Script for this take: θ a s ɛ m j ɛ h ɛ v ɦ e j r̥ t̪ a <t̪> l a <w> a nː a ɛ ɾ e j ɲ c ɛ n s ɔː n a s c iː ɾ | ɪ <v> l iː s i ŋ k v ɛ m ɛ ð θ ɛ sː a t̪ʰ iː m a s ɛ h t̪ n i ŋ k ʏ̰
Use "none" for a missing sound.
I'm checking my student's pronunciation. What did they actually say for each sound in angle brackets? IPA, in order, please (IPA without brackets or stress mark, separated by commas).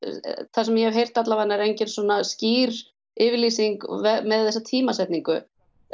t̪, v, v